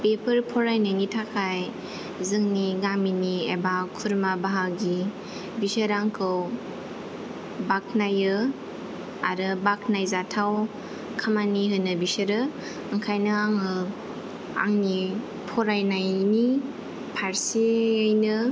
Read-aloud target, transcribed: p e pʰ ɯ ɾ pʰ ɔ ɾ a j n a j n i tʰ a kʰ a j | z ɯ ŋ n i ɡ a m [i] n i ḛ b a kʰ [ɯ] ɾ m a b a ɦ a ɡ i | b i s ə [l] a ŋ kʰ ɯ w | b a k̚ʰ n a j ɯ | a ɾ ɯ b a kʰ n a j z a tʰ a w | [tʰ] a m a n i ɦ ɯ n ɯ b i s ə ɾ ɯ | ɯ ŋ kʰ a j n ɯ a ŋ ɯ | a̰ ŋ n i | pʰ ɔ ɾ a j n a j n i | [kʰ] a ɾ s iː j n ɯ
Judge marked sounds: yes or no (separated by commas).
yes, no, no, no, no